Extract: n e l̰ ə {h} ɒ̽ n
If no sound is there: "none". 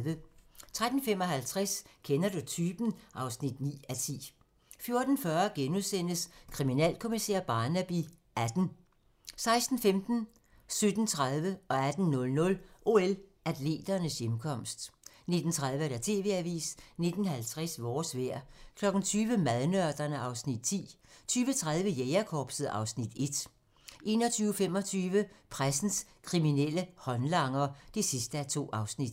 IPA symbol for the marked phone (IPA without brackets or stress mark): h